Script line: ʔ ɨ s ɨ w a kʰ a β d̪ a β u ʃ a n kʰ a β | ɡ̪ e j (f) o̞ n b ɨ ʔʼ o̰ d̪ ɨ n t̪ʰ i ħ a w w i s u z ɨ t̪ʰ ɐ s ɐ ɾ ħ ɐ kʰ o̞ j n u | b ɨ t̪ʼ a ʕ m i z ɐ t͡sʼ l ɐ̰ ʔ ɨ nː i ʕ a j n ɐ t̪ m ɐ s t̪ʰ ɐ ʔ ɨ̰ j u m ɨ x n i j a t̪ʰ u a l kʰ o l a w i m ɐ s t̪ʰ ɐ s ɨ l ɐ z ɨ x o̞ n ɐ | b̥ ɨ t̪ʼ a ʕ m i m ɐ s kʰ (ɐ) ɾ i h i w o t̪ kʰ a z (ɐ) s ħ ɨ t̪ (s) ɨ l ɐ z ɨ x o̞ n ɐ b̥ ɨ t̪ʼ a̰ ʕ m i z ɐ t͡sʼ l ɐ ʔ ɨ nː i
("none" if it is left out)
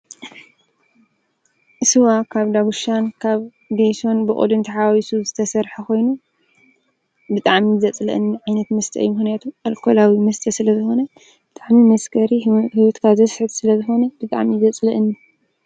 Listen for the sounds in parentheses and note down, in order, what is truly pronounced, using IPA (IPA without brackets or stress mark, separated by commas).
s, ɐ, ɐ, s